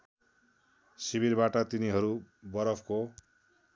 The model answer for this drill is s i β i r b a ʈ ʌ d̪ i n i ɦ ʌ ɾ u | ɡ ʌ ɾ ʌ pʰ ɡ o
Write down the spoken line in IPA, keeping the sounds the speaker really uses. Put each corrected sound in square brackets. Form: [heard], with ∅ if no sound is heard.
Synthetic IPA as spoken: s i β i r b a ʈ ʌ [t̪] i n i ɦ ʌ ɾ u | [b] ʌ ɾ ʌ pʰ [k] o

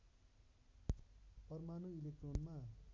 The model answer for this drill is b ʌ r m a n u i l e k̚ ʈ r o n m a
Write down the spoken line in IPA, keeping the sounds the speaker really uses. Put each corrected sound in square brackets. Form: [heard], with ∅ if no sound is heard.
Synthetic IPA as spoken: [p] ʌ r m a n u i l e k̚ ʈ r o n m a

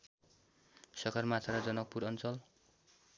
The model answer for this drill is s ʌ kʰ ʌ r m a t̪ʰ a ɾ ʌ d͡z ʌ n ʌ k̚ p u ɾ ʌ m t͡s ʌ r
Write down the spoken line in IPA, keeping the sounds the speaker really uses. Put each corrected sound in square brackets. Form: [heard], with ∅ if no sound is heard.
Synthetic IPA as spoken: s ʌ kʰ ʌ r m a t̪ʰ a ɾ ʌ d͡z ʌ n ʌ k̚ p u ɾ ʌ [n] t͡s ʌ [l]

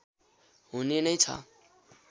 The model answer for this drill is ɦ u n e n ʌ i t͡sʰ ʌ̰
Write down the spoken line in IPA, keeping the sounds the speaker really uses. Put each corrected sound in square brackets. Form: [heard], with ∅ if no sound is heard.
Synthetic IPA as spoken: ɦ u n e n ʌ [j] t͡sʰ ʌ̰

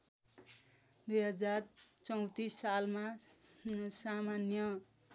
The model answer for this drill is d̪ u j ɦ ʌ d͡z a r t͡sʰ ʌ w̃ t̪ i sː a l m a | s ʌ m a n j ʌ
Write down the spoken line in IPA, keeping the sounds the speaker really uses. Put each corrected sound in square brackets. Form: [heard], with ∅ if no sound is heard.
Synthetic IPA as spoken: d̪ u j ɦ ʌ d͡z a r [t͡s] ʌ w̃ t̪ i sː a l m a | s [a] m a n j ʌ

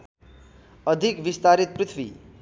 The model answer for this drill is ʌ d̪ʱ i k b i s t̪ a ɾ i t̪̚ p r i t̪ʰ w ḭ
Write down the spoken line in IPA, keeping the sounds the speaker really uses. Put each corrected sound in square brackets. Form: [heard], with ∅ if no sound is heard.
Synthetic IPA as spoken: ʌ d̪ʱ i k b i s t̪ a ɾ i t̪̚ p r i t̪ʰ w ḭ

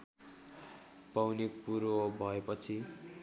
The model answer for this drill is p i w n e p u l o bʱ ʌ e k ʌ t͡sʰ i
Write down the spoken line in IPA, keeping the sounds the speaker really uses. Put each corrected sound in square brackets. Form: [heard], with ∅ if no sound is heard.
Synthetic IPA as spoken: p [a] w n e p u [ɾ] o bʱ ʌ e [p] ʌ t͡sʰ i

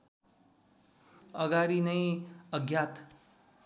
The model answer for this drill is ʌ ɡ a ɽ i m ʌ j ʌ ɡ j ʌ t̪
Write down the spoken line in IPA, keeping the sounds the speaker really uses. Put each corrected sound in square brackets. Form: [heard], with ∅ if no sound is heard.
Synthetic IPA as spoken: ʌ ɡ a [ɾ] i [n] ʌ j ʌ ɡ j [a] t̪

